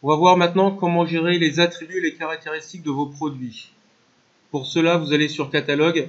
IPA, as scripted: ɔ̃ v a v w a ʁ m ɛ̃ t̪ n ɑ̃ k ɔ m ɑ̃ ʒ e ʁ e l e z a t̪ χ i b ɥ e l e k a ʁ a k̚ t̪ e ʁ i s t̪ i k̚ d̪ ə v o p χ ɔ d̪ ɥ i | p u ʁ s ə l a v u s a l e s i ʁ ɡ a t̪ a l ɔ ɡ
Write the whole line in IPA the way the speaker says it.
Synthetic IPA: ɔ̃ v a v w a ʁ m ɛ̃ t̪ n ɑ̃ k ɔ m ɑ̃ ʒ e ʁ e l e z a t̪ χ i b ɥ e l e k a ʁ a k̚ t̪ e ʁ i s t̪ i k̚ d̪ ə v o p χ ɔ d̪ ɥ i | p u ʁ s ə l a v u z a l e s y ʁ k a t̪ a l ɔ ɡ